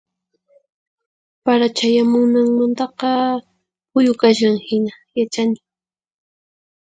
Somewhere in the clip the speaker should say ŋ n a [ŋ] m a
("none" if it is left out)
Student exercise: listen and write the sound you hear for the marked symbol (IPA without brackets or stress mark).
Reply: ŋ